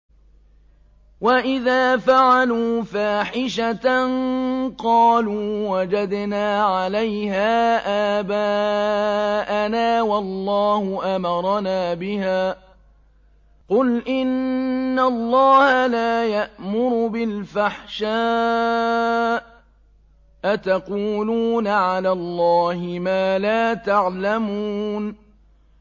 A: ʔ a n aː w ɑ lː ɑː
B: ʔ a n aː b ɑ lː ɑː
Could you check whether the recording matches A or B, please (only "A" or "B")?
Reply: A